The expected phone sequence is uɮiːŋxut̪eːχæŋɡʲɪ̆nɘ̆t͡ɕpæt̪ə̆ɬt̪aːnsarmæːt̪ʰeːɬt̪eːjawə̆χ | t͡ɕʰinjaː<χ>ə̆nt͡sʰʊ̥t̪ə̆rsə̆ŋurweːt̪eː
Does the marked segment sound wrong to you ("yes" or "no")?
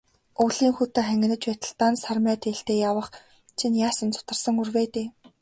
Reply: yes